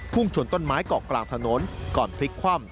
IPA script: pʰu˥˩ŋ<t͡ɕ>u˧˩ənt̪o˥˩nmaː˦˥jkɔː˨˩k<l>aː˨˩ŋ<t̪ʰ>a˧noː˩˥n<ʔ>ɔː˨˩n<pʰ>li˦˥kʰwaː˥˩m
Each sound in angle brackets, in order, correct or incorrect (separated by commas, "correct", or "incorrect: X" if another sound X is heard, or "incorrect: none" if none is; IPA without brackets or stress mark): incorrect: t͡ɕʰ, correct, correct, incorrect: k, correct